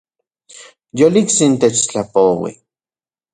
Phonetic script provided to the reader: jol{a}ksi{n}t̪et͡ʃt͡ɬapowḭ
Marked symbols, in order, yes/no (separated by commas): no, yes